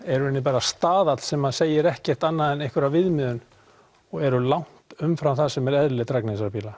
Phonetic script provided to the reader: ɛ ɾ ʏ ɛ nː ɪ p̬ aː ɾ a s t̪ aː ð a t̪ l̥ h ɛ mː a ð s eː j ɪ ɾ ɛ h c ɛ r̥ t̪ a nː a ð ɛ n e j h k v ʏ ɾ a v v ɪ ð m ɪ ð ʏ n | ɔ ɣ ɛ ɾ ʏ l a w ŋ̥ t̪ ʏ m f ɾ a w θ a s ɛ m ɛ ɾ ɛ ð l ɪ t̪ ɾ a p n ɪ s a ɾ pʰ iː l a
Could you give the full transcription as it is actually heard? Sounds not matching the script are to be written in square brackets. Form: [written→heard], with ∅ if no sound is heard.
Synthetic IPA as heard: ɛ ɾ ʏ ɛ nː ɪ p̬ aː ɾ a s t̪ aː ð a t̪ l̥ [h→s] ɛ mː a ð s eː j ɪ ɾ ɛ h c ɛ r̥ t̪ a nː a ð ɛ n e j h k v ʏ ɾ a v v ɪ ð m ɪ ð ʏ n | ɔ ɣ ɛ ɾ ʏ l a w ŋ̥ t̪ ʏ m f ɾ a w θ a s ɛ m ɛ ɾ ɛ ð l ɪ t̪ ɾ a [p→k] n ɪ s a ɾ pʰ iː l a